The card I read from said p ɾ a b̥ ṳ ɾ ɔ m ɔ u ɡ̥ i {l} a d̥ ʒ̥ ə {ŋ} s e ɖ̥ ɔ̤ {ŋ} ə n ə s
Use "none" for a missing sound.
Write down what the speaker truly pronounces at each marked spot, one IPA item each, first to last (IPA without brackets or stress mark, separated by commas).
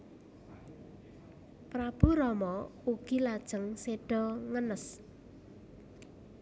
l, ŋ, ŋ